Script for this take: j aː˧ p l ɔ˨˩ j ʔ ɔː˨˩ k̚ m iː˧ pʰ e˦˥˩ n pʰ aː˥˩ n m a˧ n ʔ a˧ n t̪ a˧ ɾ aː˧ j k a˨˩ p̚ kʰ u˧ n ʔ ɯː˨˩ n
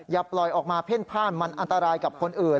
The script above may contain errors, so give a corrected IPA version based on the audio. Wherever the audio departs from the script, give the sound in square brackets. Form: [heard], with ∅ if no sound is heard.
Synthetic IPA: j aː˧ p l ɔ˨˩ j ʔ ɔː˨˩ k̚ m [aː˧] pʰ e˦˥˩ n pʰ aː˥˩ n m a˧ n ʔ a˧ n t̪ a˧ ɾ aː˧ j k a˨˩ p̚ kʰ [o˧] n ʔ ɯː˨˩ n